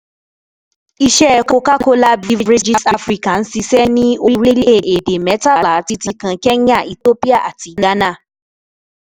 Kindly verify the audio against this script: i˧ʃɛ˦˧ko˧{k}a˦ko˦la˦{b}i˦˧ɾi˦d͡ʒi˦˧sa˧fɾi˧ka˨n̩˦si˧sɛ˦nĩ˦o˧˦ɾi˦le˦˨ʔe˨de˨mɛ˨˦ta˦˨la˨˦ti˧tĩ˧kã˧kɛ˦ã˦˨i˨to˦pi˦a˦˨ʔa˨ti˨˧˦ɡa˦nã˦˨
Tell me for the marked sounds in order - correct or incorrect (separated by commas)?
correct, correct